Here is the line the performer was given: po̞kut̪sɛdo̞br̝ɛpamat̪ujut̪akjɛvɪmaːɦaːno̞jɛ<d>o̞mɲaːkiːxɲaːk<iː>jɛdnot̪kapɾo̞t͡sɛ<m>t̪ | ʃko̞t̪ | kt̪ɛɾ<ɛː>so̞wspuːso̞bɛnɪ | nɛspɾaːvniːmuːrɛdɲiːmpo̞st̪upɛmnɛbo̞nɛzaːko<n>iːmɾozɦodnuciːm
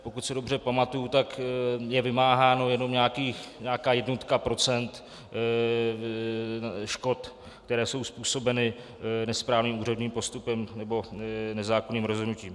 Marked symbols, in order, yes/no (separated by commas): no, no, no, yes, yes